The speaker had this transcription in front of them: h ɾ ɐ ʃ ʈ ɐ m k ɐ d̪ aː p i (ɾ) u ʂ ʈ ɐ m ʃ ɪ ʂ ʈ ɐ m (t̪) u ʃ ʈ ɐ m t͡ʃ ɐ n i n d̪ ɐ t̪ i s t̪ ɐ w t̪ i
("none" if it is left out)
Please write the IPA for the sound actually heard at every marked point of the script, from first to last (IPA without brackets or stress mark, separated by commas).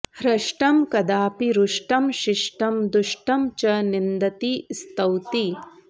ɾ, d̪